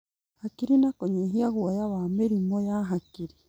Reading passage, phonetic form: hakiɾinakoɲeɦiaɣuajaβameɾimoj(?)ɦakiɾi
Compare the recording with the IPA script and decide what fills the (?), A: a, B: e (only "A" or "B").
A